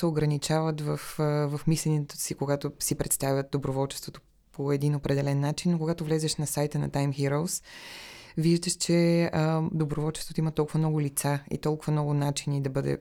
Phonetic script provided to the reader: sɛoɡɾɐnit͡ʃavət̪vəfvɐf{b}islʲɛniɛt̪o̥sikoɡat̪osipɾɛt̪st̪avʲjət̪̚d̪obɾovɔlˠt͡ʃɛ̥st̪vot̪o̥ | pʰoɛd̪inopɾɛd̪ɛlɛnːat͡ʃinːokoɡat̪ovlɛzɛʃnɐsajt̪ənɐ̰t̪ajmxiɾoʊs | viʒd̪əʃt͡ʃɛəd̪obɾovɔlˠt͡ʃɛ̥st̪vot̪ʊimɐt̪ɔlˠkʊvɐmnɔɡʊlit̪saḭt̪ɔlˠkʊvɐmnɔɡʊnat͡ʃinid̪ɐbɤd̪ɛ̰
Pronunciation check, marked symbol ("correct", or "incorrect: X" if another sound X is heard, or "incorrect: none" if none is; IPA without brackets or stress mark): incorrect: m